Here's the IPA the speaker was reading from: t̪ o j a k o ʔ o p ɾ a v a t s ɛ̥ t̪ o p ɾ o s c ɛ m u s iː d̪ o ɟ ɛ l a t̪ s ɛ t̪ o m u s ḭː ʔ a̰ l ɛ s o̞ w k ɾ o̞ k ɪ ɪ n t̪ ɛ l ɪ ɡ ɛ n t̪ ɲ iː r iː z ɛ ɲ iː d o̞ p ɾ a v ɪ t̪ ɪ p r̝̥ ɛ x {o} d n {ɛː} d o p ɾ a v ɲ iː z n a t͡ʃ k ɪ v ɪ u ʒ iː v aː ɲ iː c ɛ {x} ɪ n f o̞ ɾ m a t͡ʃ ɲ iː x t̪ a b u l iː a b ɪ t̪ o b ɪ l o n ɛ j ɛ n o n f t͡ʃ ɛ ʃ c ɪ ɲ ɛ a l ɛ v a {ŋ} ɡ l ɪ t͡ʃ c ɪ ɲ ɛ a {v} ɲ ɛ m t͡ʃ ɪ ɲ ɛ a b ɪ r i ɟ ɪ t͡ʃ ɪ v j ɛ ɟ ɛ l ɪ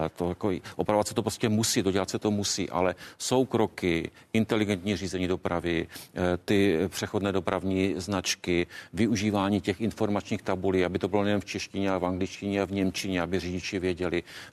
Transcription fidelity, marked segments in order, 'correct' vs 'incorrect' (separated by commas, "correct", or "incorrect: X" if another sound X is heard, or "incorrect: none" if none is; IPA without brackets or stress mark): correct, correct, correct, correct, correct